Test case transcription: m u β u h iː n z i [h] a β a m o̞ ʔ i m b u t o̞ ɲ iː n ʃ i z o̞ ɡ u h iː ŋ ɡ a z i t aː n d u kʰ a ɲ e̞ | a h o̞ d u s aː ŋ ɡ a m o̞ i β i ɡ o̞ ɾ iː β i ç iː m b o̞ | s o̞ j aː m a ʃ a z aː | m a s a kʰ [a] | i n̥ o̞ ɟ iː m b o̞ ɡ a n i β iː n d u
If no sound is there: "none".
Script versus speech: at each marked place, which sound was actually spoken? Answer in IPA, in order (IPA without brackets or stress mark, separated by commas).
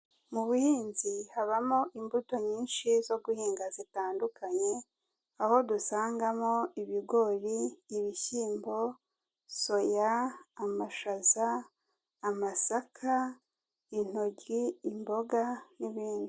h, a